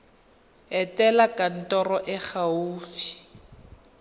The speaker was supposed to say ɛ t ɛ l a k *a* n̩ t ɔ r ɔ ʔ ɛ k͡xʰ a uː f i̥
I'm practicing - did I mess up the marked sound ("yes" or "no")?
no